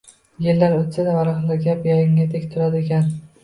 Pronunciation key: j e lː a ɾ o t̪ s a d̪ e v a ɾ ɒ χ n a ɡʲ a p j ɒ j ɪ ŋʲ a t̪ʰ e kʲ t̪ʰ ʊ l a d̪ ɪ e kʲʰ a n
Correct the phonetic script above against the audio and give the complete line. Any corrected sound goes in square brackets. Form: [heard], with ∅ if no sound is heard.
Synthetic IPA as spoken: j e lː a ɾ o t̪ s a d̪ [a] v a ɾ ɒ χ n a ɡʲ a p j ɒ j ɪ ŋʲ a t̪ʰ e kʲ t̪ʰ ʊ [ɾ] a d̪ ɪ e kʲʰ a n